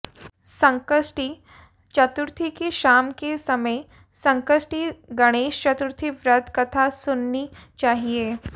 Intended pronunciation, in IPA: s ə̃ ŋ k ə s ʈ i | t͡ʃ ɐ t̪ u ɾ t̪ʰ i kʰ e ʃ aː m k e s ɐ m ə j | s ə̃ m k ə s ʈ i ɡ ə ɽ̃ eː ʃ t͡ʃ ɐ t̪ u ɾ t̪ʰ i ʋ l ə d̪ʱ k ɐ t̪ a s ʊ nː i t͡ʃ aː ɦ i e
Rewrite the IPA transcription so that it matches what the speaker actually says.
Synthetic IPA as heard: s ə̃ ŋ k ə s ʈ i | t͡ʃ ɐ t̪ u ɾ t̪ʰ i k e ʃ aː m k e s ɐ m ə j | s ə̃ ŋ k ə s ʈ i ɡ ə ɽ̃ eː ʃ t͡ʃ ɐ t̪ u ɾ t̪ʰ i ʋ ɾ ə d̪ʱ k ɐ t̪ʰ a s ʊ nː i t͡ʃ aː ɦ i e